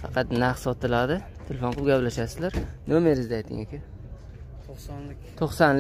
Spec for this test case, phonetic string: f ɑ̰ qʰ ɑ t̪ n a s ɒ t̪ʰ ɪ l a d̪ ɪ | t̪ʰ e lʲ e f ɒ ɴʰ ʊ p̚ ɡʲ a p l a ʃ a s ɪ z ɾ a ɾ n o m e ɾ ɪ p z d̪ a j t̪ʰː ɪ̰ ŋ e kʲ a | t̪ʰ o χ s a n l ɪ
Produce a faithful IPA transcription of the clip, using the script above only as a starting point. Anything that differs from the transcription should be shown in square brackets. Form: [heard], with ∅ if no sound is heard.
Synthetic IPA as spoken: f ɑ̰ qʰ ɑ t̪ n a s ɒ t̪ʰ ɪ l a d̪ ɪ | t̪ʰ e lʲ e f [o] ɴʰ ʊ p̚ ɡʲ a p l a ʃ a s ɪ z [l] a ɾ n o m e ɾ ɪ [∅] z d̪ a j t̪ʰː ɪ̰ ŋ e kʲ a | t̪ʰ o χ s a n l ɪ

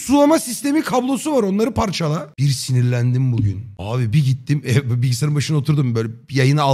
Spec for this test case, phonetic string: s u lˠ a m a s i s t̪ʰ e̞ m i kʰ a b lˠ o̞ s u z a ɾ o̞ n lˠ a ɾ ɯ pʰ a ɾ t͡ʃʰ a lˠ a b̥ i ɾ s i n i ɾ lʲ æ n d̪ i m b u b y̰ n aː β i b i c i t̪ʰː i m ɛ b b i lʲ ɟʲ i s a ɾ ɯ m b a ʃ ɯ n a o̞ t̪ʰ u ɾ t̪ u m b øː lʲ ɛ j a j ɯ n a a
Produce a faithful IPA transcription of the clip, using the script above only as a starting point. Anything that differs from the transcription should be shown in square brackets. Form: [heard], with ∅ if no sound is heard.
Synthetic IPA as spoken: s u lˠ a m a s i s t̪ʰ e̞ m i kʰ a b lˠ o̞ s u [v] a ɾ o̞ n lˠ a ɾ ɯ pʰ a ɾ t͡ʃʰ a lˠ a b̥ i ɾ s i n i ɾ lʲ æ n d̪ i m b u [ɟ] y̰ n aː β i b i [ɟ] i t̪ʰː i m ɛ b b i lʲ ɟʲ i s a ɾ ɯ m b a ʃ ɯ n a o̞ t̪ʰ u ɾ [d̪] u m b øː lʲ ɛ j a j ɯ n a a

